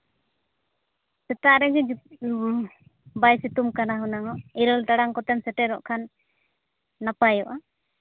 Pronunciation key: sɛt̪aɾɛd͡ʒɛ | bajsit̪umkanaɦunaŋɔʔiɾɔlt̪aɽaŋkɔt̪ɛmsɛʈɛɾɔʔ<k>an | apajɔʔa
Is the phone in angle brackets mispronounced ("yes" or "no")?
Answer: yes